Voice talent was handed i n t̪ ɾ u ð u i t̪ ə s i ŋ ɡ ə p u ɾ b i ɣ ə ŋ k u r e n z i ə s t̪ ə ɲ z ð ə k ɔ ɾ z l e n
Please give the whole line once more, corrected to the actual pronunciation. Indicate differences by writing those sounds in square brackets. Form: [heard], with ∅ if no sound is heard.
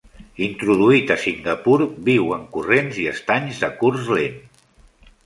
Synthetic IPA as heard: i n t̪ ɾ u ð u i t̪ ə s i ŋ ɡ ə p u ɾ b i [w] ə ŋ k u r e n z i ə s t̪ [a] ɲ z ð ə k [u] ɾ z l e n